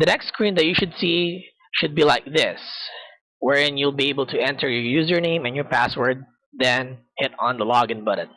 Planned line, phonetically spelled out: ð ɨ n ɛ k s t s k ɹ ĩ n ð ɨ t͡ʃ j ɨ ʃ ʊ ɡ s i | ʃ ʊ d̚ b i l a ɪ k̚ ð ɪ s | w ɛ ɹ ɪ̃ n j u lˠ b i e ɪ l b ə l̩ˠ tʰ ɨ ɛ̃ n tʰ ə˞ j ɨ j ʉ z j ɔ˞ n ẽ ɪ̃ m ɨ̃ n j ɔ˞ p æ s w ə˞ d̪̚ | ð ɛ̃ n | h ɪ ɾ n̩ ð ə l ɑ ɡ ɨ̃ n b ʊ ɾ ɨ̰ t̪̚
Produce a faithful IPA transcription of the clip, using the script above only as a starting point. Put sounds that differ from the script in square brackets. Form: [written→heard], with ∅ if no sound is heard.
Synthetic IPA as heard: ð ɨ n ɛ k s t s k ɹ ĩ n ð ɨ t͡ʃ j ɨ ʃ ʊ [ɡ→d] s i | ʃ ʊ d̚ b i l a ɪ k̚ ð ɪ s | w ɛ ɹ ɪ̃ n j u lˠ b i e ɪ [l→∅] b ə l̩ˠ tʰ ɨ ɛ̃ n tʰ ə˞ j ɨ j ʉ z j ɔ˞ n ẽ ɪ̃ m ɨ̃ n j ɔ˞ p æ s w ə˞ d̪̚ | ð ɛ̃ n | h ɪ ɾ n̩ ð ə l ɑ ɡ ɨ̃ n b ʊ ɾ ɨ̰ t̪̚